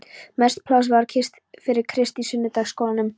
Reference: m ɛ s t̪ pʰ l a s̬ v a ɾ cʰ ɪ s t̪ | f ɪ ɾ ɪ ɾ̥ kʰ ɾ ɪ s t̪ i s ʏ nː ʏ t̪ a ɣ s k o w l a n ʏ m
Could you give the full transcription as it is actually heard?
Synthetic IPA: m ɛ s t̪ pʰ l a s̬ v a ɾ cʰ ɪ s t̪ | f ɪ ɾ ɪ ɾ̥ kʰ ɾ ɪ s t̪ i s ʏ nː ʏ t̪ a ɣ s k o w l a n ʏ m